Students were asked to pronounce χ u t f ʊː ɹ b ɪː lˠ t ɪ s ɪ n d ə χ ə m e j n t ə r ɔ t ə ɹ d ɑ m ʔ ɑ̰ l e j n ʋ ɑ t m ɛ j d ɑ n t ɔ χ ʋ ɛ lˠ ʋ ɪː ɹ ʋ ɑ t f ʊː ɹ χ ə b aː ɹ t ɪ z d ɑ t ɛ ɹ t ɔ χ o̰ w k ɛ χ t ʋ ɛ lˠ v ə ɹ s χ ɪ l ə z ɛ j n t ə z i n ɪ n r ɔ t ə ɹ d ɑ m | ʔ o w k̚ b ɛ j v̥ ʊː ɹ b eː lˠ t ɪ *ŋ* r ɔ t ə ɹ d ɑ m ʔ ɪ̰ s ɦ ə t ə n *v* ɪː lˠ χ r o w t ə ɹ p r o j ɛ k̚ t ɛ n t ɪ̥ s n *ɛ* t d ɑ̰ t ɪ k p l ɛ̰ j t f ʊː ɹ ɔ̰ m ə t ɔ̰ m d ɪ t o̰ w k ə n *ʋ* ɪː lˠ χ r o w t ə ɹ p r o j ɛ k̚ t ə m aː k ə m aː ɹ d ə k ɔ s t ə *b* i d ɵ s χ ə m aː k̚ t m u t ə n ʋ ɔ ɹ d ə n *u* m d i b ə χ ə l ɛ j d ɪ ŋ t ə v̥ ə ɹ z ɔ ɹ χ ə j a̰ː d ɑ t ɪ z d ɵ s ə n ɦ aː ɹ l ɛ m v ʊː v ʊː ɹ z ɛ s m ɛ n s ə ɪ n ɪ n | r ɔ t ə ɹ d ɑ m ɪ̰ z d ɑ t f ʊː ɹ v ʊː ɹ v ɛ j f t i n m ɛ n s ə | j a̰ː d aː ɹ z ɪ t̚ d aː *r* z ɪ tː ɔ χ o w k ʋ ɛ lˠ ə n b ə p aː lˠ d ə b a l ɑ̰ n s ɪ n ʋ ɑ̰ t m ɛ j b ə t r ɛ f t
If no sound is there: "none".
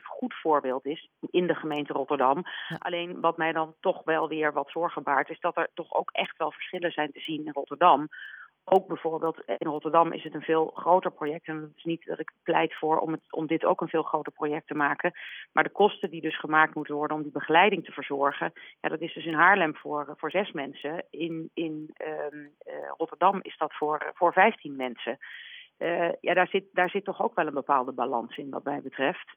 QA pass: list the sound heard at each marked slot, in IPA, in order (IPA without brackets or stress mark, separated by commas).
n, v, i, v, d, ɔ, ɹ